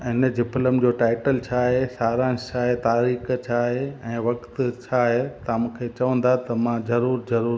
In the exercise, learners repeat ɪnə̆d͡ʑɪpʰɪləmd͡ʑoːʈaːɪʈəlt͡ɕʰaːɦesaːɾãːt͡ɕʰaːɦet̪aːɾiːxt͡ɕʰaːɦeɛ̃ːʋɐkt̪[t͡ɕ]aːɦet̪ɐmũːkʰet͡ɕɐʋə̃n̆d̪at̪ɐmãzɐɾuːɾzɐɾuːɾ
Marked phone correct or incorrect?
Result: incorrect